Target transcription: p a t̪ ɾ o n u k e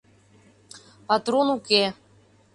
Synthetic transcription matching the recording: p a t̪ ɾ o n u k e